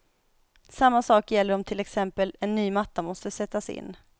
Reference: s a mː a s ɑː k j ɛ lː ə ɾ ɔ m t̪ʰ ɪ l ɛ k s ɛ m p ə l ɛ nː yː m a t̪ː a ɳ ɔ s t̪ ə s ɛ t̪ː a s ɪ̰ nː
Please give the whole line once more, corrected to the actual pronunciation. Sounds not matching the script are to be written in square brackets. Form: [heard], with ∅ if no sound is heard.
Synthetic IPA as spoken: s a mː a s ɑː k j ɛ lː ə ɾ ɔ m t̪ʰ ɪ l ɛ k s ɛ m p ə l ɛ nː yː m a t̪ː a [m] ɔ s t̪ ə s ɛ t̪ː a s ɪ̰ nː